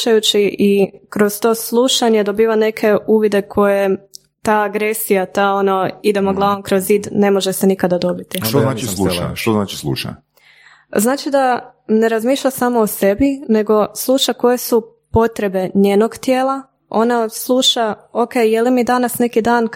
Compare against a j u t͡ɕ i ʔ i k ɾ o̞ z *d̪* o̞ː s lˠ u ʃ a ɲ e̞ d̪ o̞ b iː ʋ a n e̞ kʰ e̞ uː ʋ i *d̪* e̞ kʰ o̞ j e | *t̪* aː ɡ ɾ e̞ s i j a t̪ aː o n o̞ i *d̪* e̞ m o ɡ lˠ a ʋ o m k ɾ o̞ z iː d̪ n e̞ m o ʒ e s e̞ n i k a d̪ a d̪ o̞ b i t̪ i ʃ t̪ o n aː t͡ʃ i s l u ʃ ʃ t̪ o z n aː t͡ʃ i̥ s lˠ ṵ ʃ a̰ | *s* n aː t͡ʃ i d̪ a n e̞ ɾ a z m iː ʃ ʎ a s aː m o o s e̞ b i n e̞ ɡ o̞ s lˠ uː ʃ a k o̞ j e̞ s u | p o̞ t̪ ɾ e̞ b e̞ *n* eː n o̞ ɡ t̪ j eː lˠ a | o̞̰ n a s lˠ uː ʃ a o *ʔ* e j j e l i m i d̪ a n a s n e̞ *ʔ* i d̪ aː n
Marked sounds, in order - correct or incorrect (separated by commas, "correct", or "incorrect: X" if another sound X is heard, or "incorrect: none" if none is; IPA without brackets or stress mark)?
incorrect: t̪, correct, correct, correct, incorrect: z, incorrect: ɲ, incorrect: k, incorrect: k